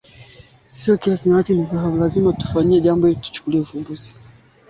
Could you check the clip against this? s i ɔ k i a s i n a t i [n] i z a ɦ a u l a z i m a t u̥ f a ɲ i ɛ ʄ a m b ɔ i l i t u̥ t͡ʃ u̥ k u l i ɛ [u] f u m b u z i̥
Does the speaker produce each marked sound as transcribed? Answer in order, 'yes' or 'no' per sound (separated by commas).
yes, yes